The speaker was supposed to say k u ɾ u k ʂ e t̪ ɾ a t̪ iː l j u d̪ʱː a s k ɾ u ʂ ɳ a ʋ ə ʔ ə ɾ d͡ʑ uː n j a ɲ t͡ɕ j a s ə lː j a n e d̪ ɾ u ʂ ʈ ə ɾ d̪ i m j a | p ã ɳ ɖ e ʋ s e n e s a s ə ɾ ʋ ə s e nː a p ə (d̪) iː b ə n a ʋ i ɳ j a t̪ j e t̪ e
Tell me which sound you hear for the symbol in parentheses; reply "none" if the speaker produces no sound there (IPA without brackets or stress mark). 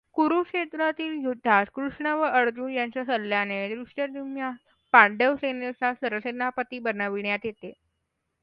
t̪